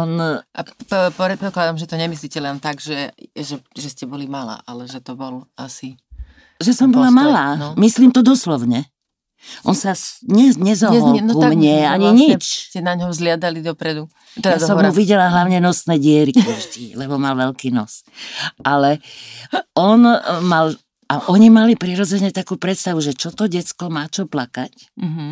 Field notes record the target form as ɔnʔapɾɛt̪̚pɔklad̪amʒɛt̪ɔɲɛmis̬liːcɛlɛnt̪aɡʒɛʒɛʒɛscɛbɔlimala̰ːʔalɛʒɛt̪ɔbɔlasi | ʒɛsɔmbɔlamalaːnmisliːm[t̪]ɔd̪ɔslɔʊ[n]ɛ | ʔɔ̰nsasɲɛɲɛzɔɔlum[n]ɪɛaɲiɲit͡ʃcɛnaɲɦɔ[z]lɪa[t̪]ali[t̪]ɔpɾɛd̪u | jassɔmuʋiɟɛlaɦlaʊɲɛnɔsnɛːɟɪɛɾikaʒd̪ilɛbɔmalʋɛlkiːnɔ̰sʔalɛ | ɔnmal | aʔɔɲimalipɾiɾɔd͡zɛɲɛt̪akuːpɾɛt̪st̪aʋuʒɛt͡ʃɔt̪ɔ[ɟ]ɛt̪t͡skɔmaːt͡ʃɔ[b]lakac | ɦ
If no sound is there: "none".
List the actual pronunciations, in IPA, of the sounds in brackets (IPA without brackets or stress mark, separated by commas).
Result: t̪, ɲ, ɲ, z, d̪, d̪, ɟ, p